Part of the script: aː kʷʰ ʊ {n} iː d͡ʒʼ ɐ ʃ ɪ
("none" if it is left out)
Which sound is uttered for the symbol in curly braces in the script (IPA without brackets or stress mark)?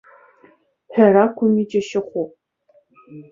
m